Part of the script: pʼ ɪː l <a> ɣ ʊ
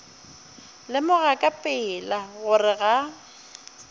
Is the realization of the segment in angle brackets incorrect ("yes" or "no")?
no